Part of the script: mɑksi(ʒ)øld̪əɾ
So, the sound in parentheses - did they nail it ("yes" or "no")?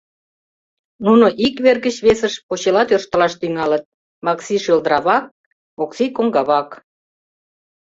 no